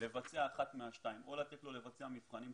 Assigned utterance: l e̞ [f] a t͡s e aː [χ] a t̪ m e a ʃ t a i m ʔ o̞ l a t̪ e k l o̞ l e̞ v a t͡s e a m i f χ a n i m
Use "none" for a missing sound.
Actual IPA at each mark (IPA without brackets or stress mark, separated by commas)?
v, χ